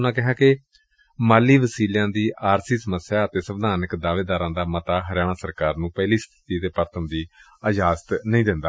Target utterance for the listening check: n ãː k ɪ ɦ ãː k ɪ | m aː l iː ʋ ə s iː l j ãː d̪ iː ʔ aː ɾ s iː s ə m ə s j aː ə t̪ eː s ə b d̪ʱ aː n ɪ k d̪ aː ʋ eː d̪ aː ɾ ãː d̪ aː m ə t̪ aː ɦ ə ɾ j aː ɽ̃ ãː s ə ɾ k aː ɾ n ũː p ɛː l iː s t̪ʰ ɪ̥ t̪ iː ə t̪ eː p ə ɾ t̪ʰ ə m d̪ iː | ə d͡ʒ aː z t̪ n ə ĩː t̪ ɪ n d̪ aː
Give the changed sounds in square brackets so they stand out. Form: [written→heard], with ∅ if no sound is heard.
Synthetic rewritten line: n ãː k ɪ ɦ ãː k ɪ | m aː l iː ʋ ə s iː l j ãː d̪ iː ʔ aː ɾ s iː s ə m ə s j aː ə t̪ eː s ə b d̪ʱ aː n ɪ k d̪ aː ʋ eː d̪ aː ɾ ãː d̪ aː m ə t̪ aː ɦ ə ɾ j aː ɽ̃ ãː s ə ɾ k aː ɾ n ũː p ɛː l iː s t̪ʰ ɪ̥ t̪ iː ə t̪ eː p ə ɾ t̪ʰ ə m d̪ iː | ə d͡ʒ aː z t̪ n ə ĩː [t̪→d̪] ɪ n d̪ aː

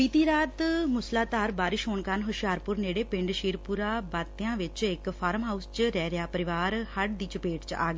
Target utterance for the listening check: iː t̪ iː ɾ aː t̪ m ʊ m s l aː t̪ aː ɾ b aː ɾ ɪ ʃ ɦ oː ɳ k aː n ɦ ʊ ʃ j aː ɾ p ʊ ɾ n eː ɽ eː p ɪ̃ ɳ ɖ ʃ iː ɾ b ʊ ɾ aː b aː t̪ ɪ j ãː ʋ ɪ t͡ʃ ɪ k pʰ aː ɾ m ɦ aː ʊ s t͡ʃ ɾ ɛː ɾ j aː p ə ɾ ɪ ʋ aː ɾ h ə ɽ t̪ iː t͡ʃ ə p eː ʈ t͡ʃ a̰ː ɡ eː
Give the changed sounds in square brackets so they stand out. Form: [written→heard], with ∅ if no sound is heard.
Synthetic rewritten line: iː t̪ iː ɾ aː t̪ m ʊ [m→∅] s l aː t̪ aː ɾ b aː ɾ ɪ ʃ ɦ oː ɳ k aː n ɦ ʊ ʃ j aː ɾ p ʊ ɾ n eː ɽ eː p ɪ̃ ɳ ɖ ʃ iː ɾ [b→p] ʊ ɾ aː b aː t̪ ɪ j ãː ʋ ɪ t͡ʃ ɪ k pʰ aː ɾ m ɦ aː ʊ s t͡ʃ ɾ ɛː ɾ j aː p ə ɾ ɪ ʋ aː ɾ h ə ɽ [t̪→d̪] iː t͡ʃ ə p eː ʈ t͡ʃ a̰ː ɡ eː

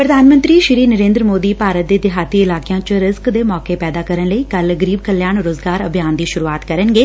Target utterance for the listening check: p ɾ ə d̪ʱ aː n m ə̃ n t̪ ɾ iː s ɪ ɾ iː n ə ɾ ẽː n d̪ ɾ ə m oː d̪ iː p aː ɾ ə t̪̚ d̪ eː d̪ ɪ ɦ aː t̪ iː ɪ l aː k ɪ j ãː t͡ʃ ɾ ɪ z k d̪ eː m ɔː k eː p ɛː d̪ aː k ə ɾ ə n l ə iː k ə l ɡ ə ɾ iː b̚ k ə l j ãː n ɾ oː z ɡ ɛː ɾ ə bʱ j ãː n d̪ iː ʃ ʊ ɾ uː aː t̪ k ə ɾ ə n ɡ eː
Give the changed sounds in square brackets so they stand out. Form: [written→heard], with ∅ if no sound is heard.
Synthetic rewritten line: p ɾ ə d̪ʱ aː n m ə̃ n t̪ ɾ iː [s→ʃ] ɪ ɾ iː n ə ɾ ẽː n d̪ ɾ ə m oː d̪ iː p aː ɾ ə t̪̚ d̪ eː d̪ ɪ ɦ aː t̪ iː ɪ l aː k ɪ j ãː t͡ʃ ɾ ɪ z k d̪ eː m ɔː k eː p ɛː d̪ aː k ə ɾ ə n l ə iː k ə l ɡ ə ɾ iː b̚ k ə l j [ãː→aː] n ɾ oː z ɡ [ɛː→aː] ɾ ə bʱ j [ãː→aː] n d̪ iː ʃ ʊ ɾ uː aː t̪ k ə ɾ ə n ɡ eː

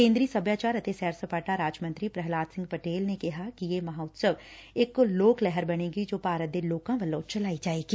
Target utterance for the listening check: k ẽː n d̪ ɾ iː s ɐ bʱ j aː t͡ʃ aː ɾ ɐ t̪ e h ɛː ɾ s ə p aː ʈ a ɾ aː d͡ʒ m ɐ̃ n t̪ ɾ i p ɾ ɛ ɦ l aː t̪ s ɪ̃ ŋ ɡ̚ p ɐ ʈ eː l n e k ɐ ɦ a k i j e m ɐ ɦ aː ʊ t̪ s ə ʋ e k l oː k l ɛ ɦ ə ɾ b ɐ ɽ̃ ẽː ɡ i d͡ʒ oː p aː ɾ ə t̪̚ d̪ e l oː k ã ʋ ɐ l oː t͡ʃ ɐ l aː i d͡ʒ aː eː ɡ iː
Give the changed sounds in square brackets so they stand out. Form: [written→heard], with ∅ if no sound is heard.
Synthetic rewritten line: k ẽː n d̪ ɾ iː s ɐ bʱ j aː t͡ʃ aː ɾ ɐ t̪ e [h→s] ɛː ɾ s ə p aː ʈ a ɾ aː d͡ʒ m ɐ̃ n t̪ ɾ i p ɾ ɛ ɦ l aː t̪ s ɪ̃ ŋ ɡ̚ p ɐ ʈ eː l n e k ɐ ɦ a k i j e m ɐ ɦ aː ʊ t̪ s ə ʋ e k l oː k l ɛ ɦ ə ɾ b ɐ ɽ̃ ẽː ɡ i d͡ʒ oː p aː ɾ ə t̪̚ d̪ e l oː k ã ʋ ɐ l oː t͡ʃ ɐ l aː i d͡ʒ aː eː ɡ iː

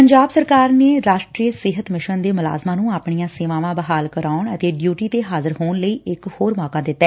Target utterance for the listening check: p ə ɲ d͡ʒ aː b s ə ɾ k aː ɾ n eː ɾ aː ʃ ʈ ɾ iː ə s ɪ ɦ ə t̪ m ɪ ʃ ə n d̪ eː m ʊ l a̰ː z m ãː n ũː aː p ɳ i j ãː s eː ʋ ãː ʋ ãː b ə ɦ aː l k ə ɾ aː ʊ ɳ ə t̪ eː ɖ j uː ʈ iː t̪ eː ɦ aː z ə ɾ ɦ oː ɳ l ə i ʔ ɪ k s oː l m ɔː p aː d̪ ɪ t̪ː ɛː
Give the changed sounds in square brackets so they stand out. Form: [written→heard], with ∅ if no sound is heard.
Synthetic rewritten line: p ə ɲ d͡ʒ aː b s ə ɾ k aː ɾ n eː ɾ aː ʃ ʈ ɾ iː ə s ɪ ɦ ə t̪ m ɪ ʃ ə n d̪ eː m ʊ l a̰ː z m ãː n ũː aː p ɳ i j ãː s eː ʋ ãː ʋ ãː b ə ɦ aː l k ə ɾ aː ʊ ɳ ə t̪ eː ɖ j uː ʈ iː t̪ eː ɦ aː z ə ɾ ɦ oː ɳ l ə [i→iː] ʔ ɪ k [s→h] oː [l→ɾ] m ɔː [p→k] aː d̪ ɪ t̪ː ɛː

